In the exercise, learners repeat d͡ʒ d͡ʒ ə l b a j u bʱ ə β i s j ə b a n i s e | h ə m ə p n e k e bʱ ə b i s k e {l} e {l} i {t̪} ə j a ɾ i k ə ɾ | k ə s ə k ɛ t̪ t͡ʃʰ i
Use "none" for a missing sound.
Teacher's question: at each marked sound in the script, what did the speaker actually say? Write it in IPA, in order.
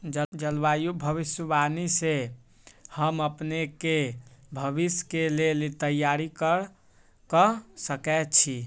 l, l, t̪

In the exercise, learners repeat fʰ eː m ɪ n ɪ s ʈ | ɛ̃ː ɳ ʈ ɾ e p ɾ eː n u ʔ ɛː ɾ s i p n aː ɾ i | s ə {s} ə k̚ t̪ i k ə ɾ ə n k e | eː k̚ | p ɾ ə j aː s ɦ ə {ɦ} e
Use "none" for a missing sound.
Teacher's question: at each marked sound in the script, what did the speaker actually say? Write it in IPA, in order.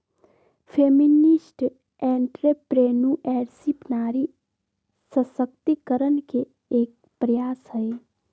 s, none

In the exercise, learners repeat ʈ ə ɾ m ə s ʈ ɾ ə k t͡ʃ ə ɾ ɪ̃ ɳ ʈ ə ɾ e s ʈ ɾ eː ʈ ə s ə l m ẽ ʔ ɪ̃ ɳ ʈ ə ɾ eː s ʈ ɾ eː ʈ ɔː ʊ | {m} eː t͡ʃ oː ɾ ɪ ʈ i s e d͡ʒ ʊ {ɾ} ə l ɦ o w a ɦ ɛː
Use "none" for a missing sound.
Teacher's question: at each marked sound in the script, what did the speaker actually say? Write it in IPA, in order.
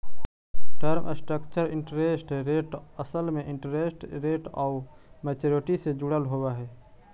m, ɽ

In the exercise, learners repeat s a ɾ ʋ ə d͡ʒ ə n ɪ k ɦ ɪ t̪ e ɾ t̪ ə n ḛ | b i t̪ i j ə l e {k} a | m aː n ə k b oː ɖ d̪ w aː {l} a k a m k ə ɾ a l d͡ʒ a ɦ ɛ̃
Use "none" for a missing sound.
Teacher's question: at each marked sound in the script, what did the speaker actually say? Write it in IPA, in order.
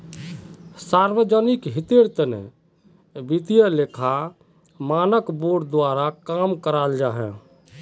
kʰ, ɾ

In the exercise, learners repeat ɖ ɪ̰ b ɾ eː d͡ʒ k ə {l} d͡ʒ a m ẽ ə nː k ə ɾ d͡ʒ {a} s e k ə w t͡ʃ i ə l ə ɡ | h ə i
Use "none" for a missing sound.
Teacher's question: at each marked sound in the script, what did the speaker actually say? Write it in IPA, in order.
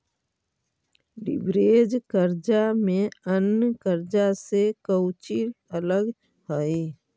ɾ, a

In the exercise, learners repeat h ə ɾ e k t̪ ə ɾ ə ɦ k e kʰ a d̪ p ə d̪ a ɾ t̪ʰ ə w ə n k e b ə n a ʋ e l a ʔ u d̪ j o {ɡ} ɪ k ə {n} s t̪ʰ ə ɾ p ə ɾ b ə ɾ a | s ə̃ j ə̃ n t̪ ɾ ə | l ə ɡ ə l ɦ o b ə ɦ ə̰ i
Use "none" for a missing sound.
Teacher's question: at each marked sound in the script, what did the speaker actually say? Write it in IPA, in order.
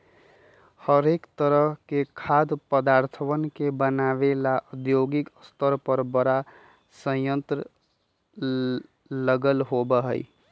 ɡ, none

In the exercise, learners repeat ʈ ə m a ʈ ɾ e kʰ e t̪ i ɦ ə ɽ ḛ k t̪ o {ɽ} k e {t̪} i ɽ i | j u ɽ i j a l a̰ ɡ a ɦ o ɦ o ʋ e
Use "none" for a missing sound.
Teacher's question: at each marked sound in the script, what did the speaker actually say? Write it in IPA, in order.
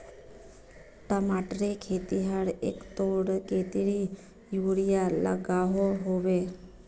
ɽ, t̪

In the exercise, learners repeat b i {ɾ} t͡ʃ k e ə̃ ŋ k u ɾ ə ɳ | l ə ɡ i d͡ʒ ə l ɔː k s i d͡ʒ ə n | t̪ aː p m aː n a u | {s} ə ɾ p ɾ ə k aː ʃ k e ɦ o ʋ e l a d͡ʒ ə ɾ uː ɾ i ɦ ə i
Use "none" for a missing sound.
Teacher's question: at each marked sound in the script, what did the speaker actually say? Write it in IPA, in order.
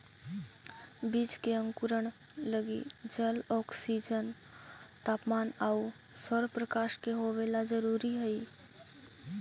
none, s

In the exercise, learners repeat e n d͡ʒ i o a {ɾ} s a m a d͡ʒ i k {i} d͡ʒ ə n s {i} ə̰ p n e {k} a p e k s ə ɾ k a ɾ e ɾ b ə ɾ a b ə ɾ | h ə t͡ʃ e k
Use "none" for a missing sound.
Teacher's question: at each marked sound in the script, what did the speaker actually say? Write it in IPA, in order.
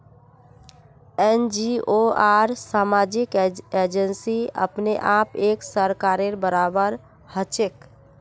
ɾ, e, i, ʔ

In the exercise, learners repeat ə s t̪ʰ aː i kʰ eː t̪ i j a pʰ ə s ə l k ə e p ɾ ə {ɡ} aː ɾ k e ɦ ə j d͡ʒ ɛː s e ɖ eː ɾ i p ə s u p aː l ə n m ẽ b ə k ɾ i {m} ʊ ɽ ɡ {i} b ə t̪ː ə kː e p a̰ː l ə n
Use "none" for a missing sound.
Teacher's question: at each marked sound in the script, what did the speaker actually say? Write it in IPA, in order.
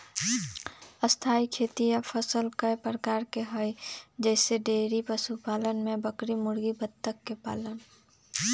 k, m, i

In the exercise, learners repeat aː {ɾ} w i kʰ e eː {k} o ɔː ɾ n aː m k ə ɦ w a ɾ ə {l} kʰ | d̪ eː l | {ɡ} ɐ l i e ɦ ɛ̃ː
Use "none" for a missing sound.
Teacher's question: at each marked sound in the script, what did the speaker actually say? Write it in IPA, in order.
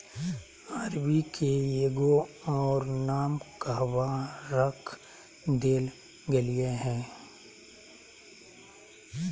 ɾ, ɡ, none, ɡ

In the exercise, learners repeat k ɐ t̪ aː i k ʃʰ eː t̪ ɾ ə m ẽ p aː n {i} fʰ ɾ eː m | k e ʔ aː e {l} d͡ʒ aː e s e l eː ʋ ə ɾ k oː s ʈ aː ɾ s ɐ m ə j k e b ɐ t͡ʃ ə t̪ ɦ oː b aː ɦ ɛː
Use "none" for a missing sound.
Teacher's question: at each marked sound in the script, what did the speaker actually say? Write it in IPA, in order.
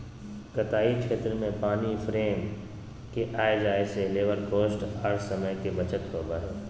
i, none

